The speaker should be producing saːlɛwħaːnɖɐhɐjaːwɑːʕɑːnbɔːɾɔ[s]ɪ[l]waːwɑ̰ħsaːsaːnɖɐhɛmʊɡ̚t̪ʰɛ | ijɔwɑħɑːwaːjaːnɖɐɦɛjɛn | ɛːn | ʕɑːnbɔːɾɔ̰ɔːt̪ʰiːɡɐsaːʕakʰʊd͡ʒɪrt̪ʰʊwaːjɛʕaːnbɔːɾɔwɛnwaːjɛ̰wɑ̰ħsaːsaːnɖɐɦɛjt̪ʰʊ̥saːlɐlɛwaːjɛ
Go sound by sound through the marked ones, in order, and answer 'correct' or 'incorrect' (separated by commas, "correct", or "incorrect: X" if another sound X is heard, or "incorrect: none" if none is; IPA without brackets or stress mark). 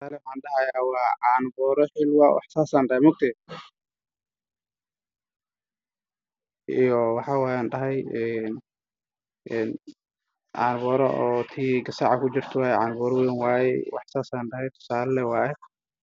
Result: incorrect: ħ, correct